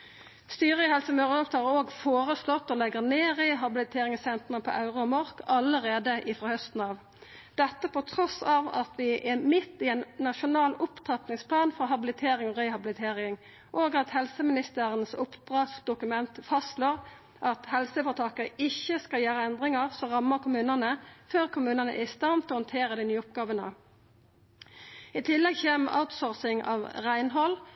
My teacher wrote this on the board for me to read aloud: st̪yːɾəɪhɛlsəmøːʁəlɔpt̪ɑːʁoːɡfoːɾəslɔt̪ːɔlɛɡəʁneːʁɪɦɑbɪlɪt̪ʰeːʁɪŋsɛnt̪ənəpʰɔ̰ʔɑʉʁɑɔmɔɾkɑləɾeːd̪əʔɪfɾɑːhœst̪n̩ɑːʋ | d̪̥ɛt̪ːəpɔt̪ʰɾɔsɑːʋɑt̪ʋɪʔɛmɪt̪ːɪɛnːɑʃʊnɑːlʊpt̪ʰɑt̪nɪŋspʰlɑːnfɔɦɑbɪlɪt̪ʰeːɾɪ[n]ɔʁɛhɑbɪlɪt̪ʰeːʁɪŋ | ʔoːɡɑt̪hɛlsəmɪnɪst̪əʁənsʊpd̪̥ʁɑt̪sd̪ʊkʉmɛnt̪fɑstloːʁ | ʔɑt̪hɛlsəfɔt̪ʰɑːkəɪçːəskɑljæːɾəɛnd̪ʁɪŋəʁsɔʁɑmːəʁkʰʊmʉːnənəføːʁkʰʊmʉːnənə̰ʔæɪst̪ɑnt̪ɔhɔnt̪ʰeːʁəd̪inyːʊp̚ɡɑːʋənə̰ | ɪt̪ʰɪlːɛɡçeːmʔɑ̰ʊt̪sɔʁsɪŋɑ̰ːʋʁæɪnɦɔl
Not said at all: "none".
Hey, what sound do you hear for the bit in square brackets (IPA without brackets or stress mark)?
ŋ